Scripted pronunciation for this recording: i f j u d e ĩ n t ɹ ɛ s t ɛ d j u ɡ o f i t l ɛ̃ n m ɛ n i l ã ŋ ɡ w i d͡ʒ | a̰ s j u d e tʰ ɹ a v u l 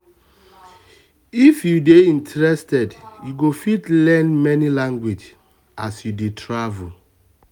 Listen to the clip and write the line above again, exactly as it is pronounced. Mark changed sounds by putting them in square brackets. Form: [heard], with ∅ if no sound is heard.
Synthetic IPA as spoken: i f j u d e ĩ n t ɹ ɛ s t ɛ d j u ɡ o f i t l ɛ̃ n m ɛ n i l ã ŋ ɡ w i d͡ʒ | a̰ s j u d e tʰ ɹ a v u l